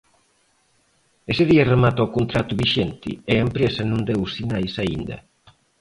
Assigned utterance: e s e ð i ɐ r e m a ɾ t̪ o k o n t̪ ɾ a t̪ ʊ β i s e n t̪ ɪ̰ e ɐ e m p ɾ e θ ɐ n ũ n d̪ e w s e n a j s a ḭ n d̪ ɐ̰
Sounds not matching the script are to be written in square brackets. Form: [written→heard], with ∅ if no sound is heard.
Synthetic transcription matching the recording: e s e ð i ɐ r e m a [ɾ→∅] t̪ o k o n t̪ ɾ a t̪ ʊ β i [s→ʃ] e n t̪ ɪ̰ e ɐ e m p ɾ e [θ→s] ɐ n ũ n d̪ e w s [e→i] n a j s a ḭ n d̪ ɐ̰